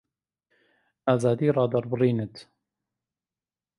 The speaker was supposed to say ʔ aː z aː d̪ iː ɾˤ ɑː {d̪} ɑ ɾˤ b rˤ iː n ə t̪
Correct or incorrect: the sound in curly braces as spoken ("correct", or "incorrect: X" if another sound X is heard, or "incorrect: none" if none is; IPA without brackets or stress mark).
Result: correct